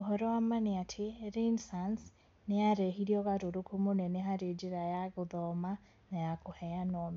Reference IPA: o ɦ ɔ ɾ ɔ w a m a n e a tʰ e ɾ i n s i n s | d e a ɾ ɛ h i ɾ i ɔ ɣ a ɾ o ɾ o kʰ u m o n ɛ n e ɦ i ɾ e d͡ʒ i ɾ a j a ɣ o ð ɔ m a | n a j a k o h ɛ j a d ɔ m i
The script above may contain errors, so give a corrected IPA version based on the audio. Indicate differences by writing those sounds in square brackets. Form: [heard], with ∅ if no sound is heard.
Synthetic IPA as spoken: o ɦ ɔ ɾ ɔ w a m a n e a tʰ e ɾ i n s [a] n s | [n] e a ɾ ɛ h i ɾ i ɔ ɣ a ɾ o ɾ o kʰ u m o n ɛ n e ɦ [a] ɾ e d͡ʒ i ɾ a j a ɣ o ð ɔ m a | n a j a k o h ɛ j a [n] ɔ m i